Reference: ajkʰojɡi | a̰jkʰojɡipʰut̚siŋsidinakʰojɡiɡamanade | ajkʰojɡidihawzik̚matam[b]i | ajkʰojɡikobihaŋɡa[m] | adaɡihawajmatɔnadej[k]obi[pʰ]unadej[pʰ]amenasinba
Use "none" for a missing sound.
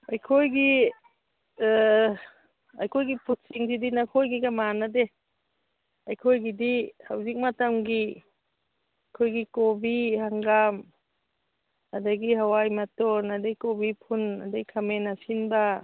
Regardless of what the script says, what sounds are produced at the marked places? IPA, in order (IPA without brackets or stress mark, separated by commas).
ɡ, m, k, pʰ, kʰ